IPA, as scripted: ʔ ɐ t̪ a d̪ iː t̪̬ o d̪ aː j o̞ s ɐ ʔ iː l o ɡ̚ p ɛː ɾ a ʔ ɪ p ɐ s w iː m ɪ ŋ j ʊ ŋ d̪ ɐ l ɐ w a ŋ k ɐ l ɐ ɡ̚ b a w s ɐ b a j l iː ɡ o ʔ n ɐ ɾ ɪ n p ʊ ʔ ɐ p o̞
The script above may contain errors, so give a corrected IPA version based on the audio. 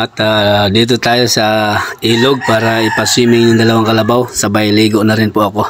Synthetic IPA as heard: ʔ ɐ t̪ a d̪ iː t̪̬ o t̪ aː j o̞ s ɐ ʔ iː l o ɡ̚ p aː ɾ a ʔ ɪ p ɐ s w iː m ɪ ŋ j ʊ ŋ d̪ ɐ l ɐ w a ŋ k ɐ l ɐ b a w s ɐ b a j l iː ɡ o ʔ n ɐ ɾ ɪ n p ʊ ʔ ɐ k o̞

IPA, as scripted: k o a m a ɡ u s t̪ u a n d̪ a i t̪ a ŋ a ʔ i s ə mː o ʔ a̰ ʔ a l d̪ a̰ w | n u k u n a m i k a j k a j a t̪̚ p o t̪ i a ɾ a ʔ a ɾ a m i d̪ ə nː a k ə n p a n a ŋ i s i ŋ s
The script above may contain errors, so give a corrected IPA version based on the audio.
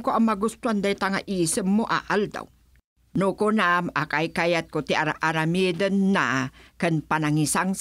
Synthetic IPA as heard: k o a m a ɡ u s t̪ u a n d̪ a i t̪ a ŋ a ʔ i s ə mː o ʔ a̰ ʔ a l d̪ a̰ w | n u k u n a m a k a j k a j a t̪̚ k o t̪ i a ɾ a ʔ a ɾ a m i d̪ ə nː a k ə n p a n a ŋ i s a ŋ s

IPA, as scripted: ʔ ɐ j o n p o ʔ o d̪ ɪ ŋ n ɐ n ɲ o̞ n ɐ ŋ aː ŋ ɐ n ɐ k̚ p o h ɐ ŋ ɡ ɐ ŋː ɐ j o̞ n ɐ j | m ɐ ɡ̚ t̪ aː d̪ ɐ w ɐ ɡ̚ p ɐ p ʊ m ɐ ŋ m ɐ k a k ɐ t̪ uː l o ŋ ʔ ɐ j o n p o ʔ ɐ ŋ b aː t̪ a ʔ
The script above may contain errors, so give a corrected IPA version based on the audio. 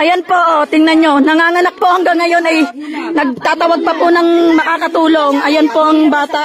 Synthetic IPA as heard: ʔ ɐ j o n p o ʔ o t̪ ɪ ŋ n ɐ n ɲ o̞ n ɐ ŋ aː ŋ ɐ n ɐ k̚ p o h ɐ ŋ ɡ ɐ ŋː ɐ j o̞ n ɐ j | n ɐ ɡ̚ t̪ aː t̪ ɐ w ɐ ɡ̚ p ɐ p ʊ n ɐ ŋ m ɐ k a k ɐ t̪ uː l o ŋ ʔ ɐ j o n p o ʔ ɐ ŋ b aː t̪ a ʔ

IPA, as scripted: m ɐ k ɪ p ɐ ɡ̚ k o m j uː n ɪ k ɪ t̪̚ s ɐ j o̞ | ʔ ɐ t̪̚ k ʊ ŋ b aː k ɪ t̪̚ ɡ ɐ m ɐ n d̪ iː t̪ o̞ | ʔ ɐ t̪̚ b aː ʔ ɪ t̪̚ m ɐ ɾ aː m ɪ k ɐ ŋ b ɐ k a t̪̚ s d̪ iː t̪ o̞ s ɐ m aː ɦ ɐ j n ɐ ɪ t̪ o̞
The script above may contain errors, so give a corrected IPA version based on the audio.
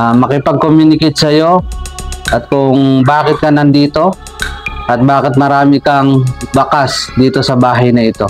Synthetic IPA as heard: m ɐ k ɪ p ɐ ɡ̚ k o m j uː n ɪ k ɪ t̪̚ s ɐ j o̞ | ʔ ɐ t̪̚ k ʊ ŋ b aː k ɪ t̪̚ k ɐ n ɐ n d̪ iː t̪ o̞ | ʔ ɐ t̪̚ b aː k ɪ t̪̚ m ɐ ɾ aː m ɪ k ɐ ŋ b ɐ k a s d̪ iː t̪ o̞ s ɐ b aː ɦ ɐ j n ɐ ɪ t̪ o̞

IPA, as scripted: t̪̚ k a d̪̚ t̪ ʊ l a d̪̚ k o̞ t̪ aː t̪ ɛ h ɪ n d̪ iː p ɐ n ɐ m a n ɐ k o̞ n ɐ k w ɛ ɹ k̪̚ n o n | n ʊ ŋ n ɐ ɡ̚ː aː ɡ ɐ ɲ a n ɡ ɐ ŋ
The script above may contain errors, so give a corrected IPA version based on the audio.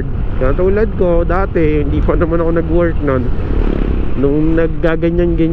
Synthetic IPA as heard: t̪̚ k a t̪ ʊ l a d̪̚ k o̞ d̪ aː t̪ ɛ h ɪ n d̪ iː p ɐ n ɐ m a n ɐ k o̞ n ɐ ɡ w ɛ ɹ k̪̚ n o n | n ʊ ŋ n ɐ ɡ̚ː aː ɡ ɐ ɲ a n ɡ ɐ ɲ

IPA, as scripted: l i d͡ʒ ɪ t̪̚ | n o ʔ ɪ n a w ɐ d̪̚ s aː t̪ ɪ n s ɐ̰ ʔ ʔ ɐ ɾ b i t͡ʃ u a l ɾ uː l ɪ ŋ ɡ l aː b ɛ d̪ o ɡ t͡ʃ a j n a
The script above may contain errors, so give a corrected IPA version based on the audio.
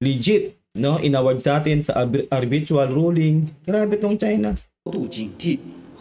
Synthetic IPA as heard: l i d͡ʒ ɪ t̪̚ | n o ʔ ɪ n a w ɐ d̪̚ s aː t̪ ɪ n s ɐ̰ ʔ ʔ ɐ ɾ b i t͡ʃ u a l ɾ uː l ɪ ŋ ɡ ɾ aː b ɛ t̪ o ŋ t͡ʃ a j n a

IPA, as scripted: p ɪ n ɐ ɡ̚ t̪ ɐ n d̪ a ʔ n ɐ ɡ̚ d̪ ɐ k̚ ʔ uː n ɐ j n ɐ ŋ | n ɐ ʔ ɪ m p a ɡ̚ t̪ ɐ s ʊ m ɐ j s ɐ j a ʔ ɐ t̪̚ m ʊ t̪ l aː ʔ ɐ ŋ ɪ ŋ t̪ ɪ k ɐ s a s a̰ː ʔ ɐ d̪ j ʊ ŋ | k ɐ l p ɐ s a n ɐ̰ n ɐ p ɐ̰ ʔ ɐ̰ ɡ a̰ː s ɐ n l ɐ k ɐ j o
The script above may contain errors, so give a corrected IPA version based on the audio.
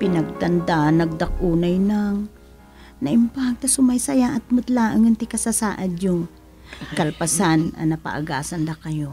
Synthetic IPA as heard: p ɪ n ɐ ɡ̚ t̪ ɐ n d̪ a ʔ n ɐ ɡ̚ d̪ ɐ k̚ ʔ uː n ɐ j n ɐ ŋ | n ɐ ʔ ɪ m p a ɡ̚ t̪ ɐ s ʊ m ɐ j s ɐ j a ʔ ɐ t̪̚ m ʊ t̪ l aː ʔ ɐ ŋ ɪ n t̪ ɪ k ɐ s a s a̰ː ʔ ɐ d̪ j ʊ ŋ | k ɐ l p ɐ s a n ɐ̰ n ɐ p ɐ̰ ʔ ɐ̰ ɡ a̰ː s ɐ n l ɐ k ɐ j o

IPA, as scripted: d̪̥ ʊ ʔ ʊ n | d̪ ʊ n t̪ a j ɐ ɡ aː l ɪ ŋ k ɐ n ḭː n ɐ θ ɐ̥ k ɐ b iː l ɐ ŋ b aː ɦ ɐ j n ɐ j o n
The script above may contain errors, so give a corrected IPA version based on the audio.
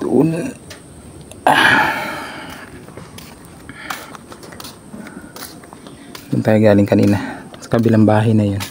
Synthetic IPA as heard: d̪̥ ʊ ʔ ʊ n | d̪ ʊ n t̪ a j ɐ ɡ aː l ɪ ŋ k ɐ n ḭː n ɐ s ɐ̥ k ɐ b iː l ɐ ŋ b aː ɦ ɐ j n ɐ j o n

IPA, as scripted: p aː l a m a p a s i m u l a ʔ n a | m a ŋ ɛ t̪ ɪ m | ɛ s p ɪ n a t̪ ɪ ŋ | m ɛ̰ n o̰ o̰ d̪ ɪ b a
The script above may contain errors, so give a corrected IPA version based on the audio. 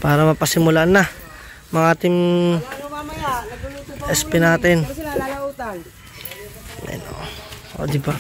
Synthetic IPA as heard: p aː ɾ a m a p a s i m u l a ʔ n a | m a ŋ a t̪ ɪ m | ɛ s p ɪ n a t̪ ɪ n | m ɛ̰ n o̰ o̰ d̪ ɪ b a

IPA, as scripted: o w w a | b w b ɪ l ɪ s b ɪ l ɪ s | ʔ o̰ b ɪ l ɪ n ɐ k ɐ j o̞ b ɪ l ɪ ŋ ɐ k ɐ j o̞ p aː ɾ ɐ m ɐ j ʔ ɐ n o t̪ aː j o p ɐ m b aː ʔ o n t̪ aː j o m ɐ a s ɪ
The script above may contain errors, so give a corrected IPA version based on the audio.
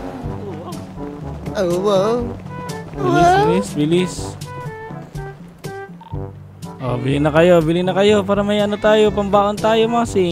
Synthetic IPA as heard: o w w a | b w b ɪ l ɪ s b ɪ l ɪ s | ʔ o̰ b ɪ l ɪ n ɐ k ɐ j o̞ b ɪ l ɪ n ɐ k ɐ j o̞ p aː ɾ ɐ m ɐ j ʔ ɐ n o t̪ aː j o p ɐ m b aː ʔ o n t̪ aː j o m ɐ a s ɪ

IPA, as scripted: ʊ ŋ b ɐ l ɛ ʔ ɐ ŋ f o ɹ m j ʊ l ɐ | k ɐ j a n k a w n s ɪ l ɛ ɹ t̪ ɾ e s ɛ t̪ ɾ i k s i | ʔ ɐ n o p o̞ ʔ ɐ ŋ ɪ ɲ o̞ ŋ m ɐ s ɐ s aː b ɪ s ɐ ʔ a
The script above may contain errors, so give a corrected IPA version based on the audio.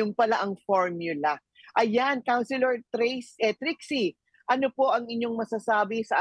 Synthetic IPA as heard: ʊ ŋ p ɐ l a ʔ ɐ ŋ f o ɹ m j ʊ l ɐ | ʔ ɐ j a n k a w n s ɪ l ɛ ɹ t̪ ɾ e s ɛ t̪ ɾ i k s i | ʔ ɐ n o p o̞ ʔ ɐ ŋ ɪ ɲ o̞ ŋ m ɐ s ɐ s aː b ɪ s ɐ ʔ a

